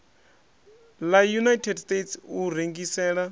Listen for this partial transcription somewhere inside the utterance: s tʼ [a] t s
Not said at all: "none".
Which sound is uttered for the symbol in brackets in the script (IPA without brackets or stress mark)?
e